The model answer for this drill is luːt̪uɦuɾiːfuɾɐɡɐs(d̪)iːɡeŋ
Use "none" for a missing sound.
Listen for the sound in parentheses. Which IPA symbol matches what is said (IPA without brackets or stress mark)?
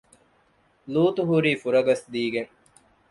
d̪